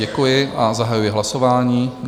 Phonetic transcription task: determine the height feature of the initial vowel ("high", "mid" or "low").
mid